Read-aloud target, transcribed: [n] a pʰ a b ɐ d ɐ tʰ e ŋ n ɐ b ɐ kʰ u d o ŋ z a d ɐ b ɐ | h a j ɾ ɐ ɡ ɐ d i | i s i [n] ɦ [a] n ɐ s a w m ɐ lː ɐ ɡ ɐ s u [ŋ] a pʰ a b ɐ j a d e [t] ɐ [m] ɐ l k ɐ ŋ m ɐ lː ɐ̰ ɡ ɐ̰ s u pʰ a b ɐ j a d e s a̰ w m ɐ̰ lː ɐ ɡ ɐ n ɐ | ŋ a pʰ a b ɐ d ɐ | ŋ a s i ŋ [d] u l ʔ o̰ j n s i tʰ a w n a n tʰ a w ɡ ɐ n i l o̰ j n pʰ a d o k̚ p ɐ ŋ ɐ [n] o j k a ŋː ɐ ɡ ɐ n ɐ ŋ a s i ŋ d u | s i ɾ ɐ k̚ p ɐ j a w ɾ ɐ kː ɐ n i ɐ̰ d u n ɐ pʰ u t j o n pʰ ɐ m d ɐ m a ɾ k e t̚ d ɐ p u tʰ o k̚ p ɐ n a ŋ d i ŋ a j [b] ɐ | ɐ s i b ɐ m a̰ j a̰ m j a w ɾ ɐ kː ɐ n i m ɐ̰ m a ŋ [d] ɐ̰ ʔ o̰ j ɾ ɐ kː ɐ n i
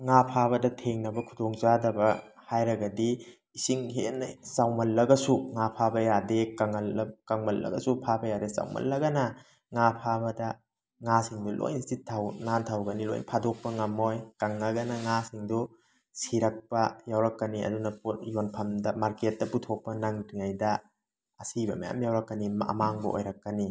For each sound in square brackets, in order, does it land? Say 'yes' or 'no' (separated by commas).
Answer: no, no, no, yes, no, no, yes, no, no, no